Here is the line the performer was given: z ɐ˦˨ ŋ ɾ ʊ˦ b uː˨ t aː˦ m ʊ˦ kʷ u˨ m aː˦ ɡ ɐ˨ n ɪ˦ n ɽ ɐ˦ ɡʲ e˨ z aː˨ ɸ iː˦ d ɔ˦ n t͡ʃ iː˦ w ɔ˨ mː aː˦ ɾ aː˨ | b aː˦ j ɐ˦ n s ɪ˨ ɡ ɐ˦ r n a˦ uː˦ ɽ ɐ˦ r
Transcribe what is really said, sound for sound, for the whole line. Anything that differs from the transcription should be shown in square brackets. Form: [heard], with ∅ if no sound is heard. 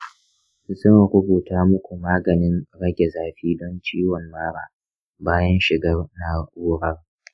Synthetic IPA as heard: z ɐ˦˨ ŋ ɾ ʊ˦ b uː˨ t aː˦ m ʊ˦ kʷ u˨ m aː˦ ɡ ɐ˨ n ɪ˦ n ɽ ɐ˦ ɡʲ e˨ z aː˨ ɸ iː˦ d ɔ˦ n t͡ʃ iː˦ w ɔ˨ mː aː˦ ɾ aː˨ | b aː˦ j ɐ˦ n [ʃ] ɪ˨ ɡ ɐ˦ r n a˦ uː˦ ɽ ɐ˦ r